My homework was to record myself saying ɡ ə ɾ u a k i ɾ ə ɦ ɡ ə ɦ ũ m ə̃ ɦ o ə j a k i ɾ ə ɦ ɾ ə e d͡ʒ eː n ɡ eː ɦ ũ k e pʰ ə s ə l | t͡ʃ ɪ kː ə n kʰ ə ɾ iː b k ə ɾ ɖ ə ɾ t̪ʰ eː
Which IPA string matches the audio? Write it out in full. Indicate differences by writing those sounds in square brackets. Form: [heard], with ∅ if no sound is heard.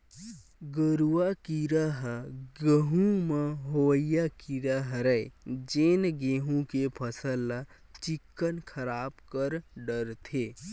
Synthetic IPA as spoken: ɡ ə ɾ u a k i ɾ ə ɦ ɡ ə ɦ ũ m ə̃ ɦ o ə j a k i ɾ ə ɦ ɾ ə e d͡ʒ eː n ɡ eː ɦ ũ k e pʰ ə s ə l | t͡ʃ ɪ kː ə n kʰ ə ɾ [aː] b k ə ɾ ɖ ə ɾ t̪ʰ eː